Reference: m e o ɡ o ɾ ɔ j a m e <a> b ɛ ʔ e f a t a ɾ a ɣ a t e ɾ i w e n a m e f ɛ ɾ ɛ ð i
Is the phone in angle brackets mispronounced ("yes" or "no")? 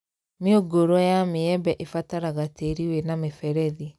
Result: yes